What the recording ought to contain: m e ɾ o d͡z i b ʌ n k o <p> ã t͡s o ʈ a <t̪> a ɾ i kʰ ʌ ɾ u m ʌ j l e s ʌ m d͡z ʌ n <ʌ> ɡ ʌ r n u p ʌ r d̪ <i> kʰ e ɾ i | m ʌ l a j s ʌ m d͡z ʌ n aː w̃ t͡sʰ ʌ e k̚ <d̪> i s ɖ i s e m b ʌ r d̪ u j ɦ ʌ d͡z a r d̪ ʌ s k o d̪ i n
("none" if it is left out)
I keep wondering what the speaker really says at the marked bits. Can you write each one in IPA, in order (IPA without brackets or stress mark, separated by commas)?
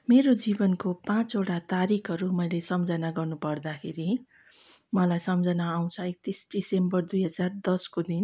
p, t̪, a, a, t̪